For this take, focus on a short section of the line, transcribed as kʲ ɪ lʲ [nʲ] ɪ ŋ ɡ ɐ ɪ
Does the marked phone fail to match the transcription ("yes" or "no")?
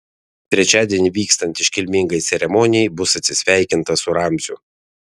yes